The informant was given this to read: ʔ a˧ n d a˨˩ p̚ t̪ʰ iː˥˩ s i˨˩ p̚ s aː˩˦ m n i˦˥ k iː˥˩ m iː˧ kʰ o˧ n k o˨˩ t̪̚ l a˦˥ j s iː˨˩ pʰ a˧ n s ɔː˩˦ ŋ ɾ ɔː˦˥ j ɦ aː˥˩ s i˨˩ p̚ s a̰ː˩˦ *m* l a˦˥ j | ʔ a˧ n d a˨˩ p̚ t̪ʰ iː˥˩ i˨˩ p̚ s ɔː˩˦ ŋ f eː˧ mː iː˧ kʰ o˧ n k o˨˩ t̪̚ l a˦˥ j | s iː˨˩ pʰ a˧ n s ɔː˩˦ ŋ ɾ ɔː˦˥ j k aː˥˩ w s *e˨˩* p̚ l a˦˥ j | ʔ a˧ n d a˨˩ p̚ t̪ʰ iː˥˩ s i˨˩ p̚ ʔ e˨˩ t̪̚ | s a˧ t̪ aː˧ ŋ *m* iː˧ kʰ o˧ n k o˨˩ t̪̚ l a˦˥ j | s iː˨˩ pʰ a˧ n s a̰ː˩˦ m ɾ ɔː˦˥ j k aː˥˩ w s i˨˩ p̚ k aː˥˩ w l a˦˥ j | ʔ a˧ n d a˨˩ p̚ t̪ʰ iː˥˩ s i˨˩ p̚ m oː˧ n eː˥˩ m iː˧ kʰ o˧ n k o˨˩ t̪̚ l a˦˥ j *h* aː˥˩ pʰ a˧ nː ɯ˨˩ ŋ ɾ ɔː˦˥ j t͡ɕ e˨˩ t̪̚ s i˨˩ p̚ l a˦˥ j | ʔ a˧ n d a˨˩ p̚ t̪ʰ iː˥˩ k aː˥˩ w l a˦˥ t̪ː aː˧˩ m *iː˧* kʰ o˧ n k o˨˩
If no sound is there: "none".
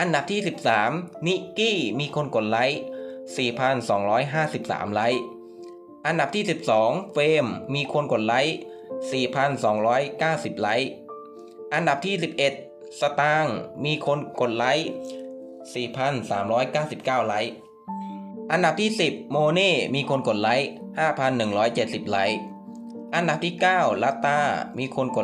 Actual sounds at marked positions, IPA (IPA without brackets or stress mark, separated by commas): m, i˨˩, m, h, iː˧